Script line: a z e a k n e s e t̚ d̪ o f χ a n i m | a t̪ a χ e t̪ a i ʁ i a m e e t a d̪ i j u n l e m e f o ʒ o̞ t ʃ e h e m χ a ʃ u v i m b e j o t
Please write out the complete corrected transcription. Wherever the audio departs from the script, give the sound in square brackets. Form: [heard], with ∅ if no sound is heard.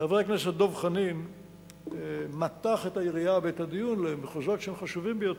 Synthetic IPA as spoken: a [v] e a k n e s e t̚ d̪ o [v] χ a n i m | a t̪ a χ e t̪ a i ʁ i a [b] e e t a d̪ i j u n l e m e [χ] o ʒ o̞ t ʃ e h e m χ a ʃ u v i m b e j o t